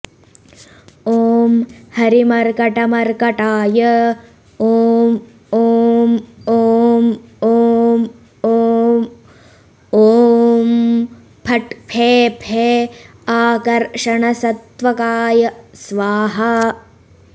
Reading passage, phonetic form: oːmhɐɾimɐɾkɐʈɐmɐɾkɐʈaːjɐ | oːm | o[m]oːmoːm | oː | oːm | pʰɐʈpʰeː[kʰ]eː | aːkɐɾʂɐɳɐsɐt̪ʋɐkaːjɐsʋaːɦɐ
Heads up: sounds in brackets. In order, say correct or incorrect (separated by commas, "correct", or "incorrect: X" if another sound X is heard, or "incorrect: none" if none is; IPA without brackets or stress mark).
correct, incorrect: pʰ